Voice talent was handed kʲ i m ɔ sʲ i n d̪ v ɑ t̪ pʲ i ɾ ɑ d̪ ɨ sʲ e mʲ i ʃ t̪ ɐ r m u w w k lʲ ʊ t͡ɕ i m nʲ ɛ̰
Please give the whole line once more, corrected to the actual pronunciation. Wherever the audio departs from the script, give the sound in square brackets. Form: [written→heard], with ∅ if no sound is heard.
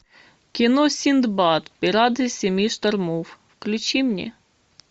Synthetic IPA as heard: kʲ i [m→n] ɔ sʲ i n d̪ [v→b] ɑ t̪ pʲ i ɾ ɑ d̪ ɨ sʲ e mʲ i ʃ t̪ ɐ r m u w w k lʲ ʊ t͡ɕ i m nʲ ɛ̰